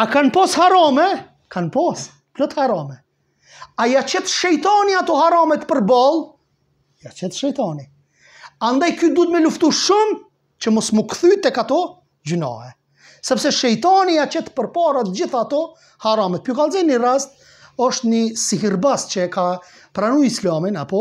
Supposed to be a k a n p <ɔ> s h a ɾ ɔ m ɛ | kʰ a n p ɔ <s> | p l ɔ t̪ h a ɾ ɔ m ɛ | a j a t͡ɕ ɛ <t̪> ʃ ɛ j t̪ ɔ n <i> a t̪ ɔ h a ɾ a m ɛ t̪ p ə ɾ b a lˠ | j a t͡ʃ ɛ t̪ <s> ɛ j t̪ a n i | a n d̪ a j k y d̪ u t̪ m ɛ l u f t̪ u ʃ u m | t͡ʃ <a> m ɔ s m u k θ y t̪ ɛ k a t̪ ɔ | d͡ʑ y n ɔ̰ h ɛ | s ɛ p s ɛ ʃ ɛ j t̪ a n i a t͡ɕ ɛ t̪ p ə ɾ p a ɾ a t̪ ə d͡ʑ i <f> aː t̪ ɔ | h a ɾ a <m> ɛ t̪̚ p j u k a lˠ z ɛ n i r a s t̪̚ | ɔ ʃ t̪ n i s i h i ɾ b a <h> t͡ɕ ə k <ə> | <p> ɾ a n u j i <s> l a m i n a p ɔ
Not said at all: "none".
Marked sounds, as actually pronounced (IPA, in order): ɔ, s, t̪, i, ʃ, ə, θ, m, s, a, p, s

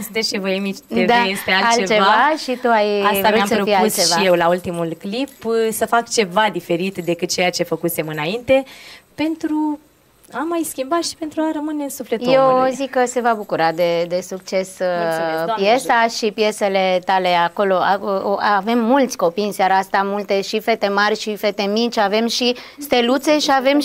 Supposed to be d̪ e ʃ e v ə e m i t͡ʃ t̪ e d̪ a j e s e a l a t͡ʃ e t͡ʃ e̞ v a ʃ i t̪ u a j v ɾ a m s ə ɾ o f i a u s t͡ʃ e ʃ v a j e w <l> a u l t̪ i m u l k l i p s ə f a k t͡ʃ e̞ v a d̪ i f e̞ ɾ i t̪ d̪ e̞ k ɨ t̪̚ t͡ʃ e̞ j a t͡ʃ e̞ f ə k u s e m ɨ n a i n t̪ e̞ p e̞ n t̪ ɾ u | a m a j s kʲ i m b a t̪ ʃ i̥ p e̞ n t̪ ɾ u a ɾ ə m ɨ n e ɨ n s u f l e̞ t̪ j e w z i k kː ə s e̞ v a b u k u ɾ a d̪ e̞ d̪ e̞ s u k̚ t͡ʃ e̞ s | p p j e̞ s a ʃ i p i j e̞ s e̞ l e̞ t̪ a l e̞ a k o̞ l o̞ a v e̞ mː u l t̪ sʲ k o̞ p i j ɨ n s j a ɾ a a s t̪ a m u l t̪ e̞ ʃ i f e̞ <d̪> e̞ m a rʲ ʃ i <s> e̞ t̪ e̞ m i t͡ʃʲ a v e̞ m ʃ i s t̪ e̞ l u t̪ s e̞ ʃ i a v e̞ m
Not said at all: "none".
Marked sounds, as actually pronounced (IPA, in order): l, t̪, f

